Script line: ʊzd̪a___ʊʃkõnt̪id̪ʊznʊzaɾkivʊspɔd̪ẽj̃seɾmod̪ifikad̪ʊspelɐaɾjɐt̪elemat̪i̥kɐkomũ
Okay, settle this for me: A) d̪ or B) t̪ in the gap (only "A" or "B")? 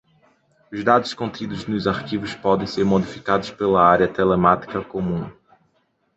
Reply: A